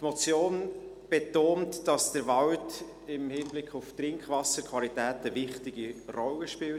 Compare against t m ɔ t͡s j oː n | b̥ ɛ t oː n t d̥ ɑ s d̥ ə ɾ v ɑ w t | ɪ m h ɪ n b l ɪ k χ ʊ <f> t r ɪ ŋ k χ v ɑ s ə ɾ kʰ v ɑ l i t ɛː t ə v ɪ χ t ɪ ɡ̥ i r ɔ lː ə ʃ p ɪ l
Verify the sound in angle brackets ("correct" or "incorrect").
correct